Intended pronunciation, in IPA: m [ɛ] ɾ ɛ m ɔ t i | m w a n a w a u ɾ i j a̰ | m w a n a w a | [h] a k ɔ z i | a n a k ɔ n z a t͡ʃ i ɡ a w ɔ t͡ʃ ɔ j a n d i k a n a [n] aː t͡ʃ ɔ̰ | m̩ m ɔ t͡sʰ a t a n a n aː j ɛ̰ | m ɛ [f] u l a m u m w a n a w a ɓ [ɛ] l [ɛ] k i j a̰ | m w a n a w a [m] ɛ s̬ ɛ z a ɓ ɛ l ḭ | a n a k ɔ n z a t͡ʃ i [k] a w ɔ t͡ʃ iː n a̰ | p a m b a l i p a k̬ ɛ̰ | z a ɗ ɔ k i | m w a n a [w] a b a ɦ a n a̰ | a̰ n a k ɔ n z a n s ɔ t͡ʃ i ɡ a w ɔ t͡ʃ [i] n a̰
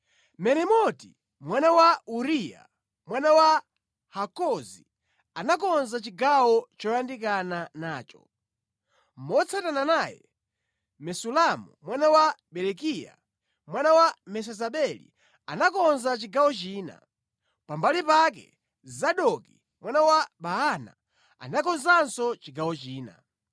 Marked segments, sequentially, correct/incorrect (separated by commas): correct, correct, correct, incorrect, correct, correct, correct, incorrect, correct, incorrect